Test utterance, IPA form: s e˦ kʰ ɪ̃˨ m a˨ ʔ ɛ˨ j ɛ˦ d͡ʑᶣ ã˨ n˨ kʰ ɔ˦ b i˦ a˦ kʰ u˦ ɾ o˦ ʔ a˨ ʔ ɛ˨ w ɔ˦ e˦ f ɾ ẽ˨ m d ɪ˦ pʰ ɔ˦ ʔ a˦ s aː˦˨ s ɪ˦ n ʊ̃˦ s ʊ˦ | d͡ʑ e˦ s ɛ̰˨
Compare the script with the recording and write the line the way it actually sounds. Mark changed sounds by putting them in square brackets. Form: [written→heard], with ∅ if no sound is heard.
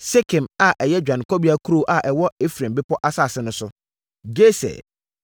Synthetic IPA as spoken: s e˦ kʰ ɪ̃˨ m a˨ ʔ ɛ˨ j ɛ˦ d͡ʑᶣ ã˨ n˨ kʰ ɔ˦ b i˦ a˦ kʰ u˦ ɾ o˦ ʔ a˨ ʔ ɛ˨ w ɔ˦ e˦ f ɾ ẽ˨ m [d→b] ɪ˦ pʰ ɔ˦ ʔ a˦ s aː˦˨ s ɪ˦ n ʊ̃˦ s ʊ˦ | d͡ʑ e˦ s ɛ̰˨